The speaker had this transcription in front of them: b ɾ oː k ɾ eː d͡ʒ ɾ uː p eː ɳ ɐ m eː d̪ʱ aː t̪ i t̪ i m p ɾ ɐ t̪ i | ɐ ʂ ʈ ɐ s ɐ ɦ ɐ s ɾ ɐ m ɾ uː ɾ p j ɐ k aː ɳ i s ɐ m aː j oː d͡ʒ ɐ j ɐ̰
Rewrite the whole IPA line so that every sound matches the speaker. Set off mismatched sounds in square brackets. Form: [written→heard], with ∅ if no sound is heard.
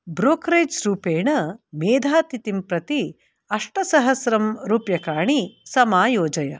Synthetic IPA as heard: b ɾ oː k ɾ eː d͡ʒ ɾ uː p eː ɳ ɐ m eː d̪ʱ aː t̪ i t̪ i m p ɾ ɐ t̪ i | ɐ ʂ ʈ ɐ s ɐ ɦ ɐ s ɾ ɐ m ɾ uː [ɾ→∅] p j ɐ k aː ɳ i s ɐ m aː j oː d͡ʒ ɐ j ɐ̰